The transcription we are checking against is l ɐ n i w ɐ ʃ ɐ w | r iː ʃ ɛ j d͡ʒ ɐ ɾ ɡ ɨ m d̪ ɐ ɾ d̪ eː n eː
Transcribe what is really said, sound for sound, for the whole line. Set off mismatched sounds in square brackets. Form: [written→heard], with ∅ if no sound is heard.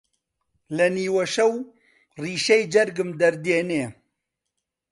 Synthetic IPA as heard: l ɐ n [i→iː] w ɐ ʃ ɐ w | r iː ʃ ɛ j d͡ʒ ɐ ɾ ɡ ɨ m d̪ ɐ ɾ d̪ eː n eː